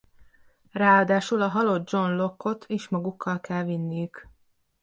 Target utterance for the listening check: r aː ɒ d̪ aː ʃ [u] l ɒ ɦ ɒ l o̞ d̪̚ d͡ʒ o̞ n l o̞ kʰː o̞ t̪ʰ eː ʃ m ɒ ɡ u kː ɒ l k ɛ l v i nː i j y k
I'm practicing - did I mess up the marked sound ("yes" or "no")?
no